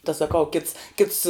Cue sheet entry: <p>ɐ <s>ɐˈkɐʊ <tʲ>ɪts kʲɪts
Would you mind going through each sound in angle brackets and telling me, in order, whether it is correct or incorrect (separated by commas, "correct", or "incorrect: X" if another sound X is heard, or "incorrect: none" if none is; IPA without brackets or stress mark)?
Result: incorrect: t, correct, incorrect: kʲ